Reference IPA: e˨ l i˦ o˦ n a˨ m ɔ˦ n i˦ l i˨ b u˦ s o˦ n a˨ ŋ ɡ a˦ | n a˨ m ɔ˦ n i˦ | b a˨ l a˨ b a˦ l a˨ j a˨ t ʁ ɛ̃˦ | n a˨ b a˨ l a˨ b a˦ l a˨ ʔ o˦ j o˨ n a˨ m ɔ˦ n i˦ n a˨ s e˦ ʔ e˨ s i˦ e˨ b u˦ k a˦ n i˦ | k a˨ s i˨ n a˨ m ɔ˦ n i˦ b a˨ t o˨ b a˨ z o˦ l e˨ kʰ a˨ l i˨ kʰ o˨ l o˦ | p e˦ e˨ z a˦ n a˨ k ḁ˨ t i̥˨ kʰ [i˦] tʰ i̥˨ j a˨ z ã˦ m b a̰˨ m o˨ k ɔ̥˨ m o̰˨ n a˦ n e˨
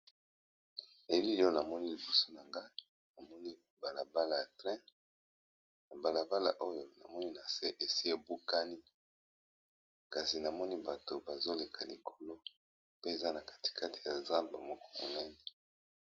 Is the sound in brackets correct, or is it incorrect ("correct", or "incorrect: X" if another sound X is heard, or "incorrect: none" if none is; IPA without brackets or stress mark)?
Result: incorrect: a˦